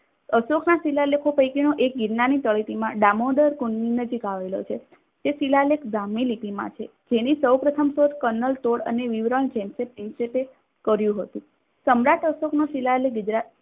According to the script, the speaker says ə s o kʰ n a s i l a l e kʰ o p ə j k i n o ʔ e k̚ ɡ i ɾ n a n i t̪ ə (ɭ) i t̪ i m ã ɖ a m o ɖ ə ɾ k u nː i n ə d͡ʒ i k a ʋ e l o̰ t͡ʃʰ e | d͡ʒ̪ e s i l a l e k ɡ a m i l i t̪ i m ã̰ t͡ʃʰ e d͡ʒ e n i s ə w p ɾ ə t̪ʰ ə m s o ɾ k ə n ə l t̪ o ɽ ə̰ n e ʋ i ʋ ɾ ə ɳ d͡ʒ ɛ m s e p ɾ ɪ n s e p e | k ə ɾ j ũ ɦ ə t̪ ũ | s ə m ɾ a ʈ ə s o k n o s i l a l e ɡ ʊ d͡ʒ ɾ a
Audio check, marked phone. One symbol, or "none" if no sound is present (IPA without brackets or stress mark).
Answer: ɭ